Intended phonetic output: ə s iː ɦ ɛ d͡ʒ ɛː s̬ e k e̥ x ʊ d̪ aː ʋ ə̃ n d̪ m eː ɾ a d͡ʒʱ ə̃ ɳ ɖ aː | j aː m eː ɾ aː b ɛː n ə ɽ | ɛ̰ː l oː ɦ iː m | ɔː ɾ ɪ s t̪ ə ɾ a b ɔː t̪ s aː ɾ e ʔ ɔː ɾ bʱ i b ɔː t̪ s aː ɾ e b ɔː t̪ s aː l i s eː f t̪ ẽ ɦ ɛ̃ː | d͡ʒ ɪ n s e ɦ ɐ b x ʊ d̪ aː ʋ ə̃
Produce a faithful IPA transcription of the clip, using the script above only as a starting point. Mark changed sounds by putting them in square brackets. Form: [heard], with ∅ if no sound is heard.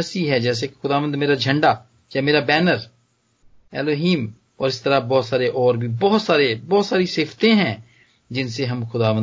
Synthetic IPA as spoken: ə s iː ɦ ɛ d͡ʒ ɛː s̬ e k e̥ x ʊ d̪ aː ʋ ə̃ n d̪ m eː ɾ a d͡ʒʱ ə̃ ɳ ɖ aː | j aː m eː ɾ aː b ɛː n ə [ɾ] | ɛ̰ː l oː ɦ iː m | ɔː ɾ ɪ s t̪ ə ɾ a b ɔː t̪ s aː ɾ e ʔ ɔː ɾ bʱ i b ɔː t̪ s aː ɾ e b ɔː t̪ s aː [ɾ] i s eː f t̪ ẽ ɦ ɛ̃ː | d͡ʒ ɪ n s e ɦ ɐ [m] x ʊ d̪ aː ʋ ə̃